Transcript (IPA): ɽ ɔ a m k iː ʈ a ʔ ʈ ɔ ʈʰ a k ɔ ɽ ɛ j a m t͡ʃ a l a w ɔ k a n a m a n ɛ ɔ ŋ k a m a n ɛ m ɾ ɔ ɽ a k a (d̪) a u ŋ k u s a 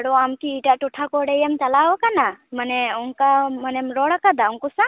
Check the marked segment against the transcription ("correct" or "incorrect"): correct